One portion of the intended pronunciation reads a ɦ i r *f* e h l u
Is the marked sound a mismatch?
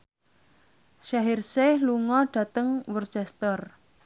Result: yes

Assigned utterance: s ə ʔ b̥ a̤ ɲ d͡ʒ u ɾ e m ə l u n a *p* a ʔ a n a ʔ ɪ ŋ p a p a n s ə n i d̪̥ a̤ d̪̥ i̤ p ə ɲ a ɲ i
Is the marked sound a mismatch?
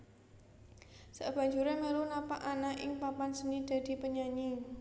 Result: no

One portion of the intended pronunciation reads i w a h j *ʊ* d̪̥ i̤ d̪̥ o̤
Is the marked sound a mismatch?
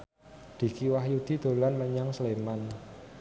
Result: yes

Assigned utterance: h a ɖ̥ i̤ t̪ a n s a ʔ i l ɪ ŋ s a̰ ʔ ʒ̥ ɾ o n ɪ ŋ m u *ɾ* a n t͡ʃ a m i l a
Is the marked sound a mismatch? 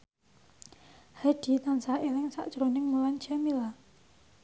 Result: yes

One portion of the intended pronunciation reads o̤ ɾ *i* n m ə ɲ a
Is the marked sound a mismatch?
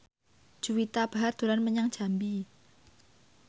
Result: yes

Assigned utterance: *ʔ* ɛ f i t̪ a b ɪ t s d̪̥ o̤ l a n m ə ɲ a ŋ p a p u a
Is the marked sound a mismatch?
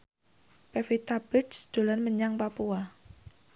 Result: yes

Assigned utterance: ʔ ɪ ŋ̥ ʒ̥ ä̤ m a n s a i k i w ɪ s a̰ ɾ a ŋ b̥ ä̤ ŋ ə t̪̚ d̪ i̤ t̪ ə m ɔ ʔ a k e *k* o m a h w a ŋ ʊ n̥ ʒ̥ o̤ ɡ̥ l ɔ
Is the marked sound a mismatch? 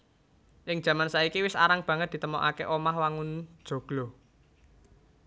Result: yes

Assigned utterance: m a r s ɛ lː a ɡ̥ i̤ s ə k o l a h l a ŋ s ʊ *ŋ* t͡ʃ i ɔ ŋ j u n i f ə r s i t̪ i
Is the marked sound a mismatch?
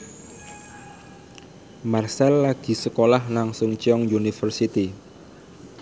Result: no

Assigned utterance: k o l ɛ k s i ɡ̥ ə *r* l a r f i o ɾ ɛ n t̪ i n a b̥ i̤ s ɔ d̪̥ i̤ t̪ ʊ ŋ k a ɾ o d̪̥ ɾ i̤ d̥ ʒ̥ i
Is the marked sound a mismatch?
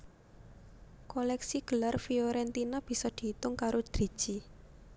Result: yes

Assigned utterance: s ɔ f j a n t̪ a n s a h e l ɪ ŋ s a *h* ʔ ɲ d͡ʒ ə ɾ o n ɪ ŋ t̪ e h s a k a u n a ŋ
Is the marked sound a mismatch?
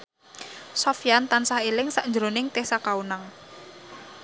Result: yes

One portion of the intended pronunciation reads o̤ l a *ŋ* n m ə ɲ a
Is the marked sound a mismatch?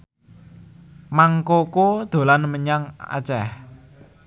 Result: yes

